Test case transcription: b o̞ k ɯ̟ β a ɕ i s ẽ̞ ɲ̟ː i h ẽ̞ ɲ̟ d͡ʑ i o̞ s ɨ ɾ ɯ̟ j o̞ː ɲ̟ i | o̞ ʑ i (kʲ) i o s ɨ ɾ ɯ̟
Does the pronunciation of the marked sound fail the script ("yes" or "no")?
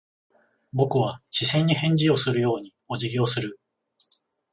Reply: yes